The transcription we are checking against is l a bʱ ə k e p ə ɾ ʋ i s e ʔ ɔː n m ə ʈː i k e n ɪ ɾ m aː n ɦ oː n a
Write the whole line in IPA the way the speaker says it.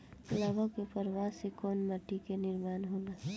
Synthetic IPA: l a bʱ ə k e p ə ɾ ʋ a s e k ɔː n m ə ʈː i k e n ɪ ɾ m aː n ɦ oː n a